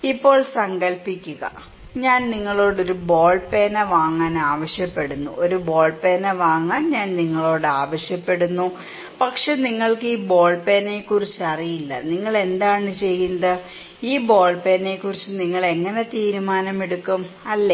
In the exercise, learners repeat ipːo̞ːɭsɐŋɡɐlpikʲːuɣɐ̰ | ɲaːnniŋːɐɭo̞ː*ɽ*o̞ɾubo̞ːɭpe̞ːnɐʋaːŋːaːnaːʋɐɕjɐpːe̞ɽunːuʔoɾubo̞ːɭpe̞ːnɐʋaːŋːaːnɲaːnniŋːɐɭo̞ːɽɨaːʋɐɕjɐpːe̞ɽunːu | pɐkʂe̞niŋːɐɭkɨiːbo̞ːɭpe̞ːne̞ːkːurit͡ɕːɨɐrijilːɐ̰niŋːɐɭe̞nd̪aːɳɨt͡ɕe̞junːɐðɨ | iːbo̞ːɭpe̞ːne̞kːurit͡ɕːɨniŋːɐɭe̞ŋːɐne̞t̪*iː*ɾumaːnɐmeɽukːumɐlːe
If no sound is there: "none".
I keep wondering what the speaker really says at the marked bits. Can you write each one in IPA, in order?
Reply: ɽ, iː

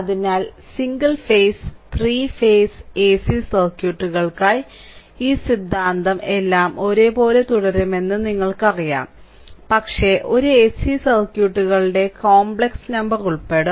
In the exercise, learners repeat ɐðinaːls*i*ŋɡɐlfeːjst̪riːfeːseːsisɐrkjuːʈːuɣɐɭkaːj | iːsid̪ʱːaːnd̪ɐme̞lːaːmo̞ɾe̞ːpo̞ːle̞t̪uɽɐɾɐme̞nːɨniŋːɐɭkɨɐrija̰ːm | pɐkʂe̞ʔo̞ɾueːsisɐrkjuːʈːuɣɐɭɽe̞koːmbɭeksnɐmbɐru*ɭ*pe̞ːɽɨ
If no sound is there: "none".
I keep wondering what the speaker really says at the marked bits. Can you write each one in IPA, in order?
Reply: i, ɭ

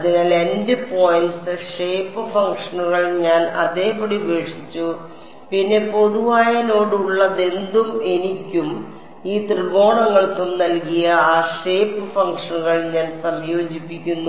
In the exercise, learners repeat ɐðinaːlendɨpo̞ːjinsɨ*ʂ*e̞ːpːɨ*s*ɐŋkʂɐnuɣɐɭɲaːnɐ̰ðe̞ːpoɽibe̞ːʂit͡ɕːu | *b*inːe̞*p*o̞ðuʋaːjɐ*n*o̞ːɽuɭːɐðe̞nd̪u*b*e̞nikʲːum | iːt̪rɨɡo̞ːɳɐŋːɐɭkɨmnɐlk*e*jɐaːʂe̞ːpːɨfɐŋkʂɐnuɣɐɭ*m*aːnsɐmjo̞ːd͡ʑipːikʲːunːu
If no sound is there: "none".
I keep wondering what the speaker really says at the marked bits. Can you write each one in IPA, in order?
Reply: ʂ, f, p, p, n, m, i, ɲ

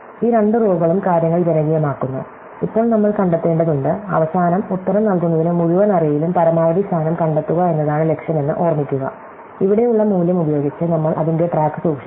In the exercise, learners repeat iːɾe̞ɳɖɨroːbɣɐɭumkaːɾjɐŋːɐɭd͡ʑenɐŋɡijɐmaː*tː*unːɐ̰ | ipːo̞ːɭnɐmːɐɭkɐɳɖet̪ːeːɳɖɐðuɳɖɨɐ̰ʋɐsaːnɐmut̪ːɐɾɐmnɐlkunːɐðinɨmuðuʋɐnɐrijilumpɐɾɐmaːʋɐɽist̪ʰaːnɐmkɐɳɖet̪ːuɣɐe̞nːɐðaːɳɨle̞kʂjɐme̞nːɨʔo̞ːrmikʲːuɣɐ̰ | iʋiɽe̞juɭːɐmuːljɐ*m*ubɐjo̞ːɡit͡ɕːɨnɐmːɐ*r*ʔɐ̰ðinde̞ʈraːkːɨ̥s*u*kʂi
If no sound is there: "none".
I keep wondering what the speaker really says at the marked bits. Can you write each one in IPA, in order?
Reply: kː, m, ɭ, uː

